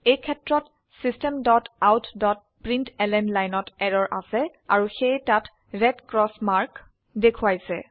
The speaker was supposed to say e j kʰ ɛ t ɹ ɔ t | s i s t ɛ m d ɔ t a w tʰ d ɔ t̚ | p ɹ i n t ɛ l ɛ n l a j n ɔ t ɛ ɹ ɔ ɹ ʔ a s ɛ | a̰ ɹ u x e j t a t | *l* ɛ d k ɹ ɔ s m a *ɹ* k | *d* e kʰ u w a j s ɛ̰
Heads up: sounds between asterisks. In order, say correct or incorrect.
incorrect: ɹ, correct, correct

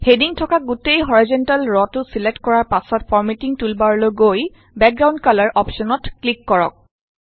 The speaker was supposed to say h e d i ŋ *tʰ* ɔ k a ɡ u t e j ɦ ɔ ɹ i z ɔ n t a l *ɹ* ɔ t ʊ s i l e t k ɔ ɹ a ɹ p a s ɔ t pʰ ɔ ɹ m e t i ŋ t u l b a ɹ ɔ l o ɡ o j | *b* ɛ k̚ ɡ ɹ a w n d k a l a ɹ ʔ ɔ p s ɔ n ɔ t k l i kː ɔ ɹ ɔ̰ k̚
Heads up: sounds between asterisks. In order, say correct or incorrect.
correct, correct, correct

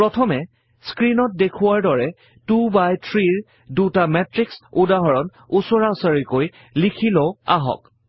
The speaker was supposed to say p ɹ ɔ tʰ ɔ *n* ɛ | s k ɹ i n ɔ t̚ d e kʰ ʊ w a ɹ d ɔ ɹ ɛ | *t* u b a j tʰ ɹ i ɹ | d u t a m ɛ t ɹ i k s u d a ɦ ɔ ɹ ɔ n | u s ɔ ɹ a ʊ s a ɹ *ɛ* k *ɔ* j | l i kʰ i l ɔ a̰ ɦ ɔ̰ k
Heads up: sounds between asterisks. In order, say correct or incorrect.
incorrect: m, correct, incorrect: i, incorrect: o

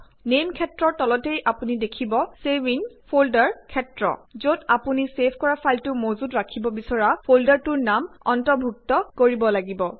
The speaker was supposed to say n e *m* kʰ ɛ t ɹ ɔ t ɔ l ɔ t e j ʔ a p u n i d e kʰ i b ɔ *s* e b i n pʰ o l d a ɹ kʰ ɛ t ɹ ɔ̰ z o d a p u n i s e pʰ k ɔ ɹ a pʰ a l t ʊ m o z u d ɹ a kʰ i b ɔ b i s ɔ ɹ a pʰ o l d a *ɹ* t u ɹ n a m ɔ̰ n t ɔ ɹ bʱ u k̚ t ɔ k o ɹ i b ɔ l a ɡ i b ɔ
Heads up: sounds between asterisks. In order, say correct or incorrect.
correct, correct, correct

